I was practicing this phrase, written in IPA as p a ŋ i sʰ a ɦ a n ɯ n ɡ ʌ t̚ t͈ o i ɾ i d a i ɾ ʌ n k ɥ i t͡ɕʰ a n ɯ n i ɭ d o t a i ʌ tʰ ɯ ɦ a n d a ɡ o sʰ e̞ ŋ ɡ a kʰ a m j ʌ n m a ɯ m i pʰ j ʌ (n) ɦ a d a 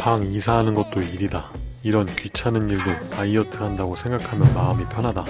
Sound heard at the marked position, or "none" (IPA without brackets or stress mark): n